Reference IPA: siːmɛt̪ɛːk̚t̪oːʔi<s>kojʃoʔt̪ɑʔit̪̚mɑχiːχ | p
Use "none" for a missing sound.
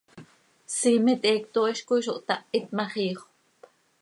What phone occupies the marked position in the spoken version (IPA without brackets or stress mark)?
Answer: ʃ